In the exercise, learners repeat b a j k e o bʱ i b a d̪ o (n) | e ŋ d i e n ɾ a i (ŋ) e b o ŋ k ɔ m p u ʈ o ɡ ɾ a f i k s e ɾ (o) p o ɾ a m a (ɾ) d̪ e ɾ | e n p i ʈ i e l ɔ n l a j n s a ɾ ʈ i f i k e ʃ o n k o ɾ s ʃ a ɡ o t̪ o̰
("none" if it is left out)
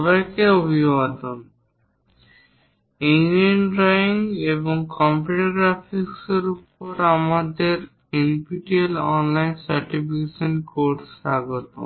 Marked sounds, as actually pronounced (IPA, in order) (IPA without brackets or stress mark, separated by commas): n, ŋ, u, none